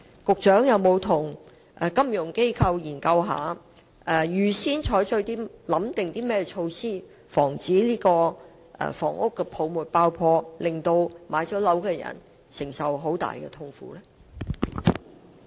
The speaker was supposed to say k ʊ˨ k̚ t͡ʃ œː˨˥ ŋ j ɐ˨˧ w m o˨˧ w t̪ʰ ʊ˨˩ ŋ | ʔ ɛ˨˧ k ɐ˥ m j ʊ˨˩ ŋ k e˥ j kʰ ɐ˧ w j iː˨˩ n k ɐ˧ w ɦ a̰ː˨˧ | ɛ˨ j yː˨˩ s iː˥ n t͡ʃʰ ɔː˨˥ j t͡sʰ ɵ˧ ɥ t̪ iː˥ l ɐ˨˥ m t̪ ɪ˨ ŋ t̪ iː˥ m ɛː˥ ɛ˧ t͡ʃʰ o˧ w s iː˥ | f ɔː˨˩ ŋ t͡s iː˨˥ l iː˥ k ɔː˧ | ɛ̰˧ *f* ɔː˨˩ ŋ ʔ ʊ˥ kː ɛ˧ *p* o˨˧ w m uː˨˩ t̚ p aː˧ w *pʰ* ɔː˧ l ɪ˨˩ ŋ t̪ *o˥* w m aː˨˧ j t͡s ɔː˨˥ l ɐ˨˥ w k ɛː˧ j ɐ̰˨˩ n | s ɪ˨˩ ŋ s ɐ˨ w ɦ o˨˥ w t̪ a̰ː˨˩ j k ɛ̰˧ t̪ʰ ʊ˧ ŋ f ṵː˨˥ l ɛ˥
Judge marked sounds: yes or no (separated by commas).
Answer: yes, no, yes, no